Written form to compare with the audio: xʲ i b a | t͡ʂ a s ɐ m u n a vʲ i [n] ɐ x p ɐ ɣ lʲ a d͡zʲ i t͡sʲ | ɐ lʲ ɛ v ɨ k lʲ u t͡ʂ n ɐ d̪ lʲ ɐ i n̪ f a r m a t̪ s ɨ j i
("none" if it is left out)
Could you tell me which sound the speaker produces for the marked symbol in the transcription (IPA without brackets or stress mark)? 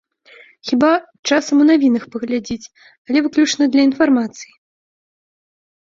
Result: n